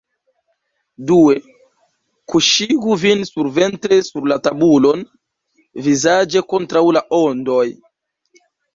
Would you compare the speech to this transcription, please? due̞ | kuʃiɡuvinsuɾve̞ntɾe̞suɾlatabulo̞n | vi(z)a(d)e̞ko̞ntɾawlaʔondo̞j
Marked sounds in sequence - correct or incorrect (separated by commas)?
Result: correct, incorrect